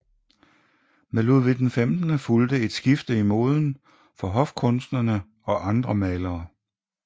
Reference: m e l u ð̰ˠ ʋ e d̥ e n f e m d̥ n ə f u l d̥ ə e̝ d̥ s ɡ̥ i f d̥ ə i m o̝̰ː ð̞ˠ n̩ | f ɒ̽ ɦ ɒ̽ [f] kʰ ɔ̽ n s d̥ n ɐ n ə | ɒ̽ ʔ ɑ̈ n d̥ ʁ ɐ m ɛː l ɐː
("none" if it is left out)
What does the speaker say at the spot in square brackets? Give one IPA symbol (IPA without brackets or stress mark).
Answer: f